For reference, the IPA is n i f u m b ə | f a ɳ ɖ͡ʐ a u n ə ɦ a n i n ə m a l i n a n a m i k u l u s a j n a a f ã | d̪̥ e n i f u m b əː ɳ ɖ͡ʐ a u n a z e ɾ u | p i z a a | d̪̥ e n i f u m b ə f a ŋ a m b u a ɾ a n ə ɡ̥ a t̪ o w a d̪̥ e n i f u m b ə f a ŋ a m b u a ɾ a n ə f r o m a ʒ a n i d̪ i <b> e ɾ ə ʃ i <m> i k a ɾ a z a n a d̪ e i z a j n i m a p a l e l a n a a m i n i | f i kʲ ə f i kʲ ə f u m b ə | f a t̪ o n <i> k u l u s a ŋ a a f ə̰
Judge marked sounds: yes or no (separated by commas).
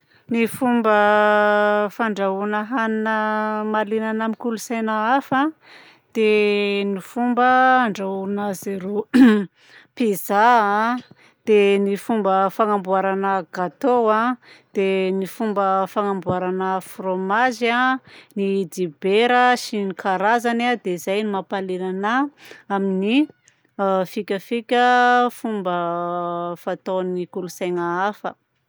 yes, no, yes